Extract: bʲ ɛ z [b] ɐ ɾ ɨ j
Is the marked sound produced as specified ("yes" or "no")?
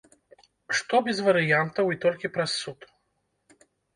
no